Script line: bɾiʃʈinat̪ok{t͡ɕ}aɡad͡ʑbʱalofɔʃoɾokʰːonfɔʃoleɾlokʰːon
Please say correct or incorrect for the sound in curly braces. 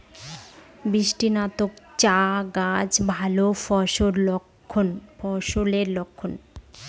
correct